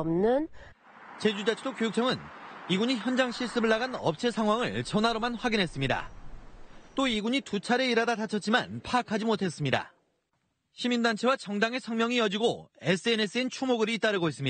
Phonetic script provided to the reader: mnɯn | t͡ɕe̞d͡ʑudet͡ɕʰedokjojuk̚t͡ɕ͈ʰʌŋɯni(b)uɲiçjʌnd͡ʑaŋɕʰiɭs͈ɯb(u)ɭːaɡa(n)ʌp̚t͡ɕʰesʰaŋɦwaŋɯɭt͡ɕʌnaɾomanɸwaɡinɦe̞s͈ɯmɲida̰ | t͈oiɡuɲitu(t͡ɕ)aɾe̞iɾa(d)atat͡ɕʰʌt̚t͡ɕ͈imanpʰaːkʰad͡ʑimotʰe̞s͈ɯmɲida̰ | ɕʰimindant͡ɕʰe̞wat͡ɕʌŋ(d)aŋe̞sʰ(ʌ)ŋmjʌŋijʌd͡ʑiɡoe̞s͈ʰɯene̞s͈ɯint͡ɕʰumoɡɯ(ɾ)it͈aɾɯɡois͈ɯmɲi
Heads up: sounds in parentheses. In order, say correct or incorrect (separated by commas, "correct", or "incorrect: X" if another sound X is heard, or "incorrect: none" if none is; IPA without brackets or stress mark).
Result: incorrect: ɡ, incorrect: ɯ, correct, incorrect: t͡ɕʰ, correct, correct, correct, correct